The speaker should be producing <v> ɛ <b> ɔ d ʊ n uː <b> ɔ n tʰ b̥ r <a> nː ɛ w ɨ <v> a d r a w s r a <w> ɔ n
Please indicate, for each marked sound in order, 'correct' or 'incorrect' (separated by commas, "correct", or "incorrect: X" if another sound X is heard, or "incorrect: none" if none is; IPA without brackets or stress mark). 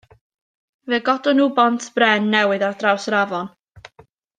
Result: correct, incorrect: ɡ, correct, incorrect: ɛ, incorrect: ð, incorrect: v